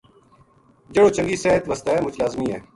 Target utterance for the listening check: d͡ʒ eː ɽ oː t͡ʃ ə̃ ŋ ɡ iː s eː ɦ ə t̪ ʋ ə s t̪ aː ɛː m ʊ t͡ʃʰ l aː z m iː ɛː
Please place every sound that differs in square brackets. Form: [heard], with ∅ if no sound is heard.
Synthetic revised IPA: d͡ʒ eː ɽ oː t͡ʃ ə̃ ŋ ɡ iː s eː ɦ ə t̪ ʋ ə s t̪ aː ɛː m ʊ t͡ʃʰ l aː z m iː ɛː